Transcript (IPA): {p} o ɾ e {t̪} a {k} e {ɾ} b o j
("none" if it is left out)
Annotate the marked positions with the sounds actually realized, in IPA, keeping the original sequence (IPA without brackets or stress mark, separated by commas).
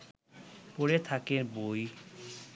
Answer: p, t̪ʰ, k, ɾ